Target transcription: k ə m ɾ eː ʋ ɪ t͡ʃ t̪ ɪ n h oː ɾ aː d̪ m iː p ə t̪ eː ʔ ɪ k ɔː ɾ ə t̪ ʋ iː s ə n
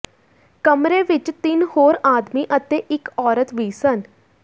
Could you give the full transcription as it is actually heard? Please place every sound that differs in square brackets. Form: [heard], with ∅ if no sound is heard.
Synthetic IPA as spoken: k ə m ɾ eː ʋ ɪ t͡ʃ t̪ ɪ n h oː ɾ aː d̪ m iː [ʔ] ə t̪ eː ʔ ɪ k ɔː ɾ ə t̪ ʋ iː s ə n